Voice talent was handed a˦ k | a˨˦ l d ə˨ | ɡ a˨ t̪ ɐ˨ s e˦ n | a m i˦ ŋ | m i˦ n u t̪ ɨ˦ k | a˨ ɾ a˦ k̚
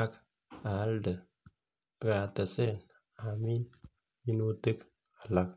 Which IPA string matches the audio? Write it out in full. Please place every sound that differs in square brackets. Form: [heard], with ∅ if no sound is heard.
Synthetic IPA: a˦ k | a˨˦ l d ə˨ | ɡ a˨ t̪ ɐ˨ s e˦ n | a m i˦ [n] | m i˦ n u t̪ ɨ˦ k | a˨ [l] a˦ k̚